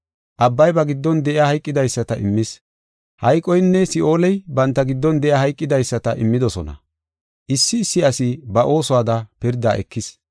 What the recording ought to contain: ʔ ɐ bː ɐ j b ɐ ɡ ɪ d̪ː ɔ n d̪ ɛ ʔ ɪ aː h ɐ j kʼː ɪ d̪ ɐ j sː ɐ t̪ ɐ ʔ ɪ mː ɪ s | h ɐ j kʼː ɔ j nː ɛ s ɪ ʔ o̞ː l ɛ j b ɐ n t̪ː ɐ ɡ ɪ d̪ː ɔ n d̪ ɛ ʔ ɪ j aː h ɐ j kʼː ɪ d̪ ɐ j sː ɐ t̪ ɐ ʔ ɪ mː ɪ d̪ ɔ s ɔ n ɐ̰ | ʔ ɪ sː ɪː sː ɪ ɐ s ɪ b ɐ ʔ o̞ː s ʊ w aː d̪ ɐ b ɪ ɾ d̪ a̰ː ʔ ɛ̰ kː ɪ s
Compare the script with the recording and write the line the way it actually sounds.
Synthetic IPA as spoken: ʔ ɐ bː ɐ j b ɐ ɡ ɪ d̪ː ɔ n d̪ ɛ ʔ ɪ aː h ɐ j kʼː ɪ d̪ ɐ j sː ɐ t̪ ɐ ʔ ɪ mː ɪ s | h ɐ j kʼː ɔ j nː ɛ s ɪ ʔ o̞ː l ɛ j b ɐ n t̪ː ɐ ɡ ɪ d̪ː ɔ n d̪ ɛ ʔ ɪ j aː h ɐ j kʼː ɪ d̪ ɐ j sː ɐ t̪ ɐ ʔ ɪ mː ɪ d̪ ɔ s ɔ n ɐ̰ | ʔ ɪ sː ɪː sː ɪ ɐ s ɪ b ɐ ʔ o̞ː s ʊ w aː d̪ ɐ p ɪ ɾ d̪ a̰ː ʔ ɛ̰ kː ɪ s